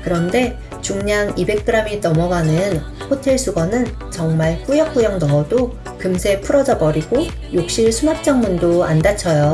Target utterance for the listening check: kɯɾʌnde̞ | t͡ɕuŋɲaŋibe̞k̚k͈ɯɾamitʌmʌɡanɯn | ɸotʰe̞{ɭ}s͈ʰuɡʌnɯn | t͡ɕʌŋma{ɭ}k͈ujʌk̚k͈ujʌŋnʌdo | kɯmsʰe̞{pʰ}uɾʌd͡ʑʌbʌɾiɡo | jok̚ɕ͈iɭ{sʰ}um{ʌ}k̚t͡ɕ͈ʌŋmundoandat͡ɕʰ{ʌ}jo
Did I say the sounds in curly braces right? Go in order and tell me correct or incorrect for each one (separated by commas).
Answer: correct, correct, correct, correct, incorrect, correct